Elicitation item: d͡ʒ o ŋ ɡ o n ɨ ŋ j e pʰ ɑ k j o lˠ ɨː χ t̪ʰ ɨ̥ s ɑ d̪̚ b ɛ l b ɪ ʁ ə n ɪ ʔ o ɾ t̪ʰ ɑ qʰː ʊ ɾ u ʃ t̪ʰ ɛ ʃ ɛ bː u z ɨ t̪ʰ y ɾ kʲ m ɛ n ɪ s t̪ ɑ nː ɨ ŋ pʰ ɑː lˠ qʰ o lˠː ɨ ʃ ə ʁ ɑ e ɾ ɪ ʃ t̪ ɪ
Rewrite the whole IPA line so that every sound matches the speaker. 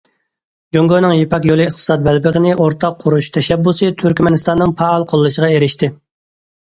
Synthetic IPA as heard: d͡ʒ o ŋ ɡ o n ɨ ŋ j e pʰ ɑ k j o lˠ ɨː χ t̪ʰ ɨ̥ s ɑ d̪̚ b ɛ l b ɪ ʁ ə n ɪ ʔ o ɾ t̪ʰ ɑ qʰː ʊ ɾ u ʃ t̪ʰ ɛ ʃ ɛ bː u s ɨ t̪ʰ y ɾ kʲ m ɛ n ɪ s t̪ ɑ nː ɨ ŋ pʰ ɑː lˠ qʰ o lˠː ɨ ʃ ə ʁ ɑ e ɾ ɪ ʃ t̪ ɪ